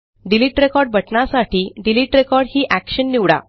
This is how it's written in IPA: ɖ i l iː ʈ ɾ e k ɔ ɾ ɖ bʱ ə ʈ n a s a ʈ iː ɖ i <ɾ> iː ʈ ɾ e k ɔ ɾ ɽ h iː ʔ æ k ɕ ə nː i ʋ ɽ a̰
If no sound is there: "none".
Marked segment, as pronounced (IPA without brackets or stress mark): l